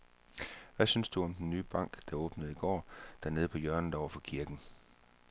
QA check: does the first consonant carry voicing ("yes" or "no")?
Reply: yes